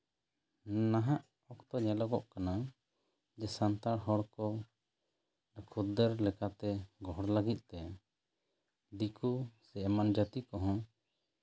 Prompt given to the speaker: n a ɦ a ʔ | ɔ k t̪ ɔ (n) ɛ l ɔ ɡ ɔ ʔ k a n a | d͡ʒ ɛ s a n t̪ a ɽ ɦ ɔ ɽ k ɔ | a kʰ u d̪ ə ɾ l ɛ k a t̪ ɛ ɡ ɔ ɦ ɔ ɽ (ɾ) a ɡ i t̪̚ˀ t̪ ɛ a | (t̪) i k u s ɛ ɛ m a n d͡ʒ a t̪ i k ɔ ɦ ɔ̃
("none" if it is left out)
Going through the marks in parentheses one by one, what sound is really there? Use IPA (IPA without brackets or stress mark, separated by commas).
ɲ, l, d̪